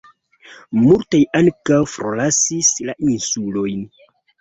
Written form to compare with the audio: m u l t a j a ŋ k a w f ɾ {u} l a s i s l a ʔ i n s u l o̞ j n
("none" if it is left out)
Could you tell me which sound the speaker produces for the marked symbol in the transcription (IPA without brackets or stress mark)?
o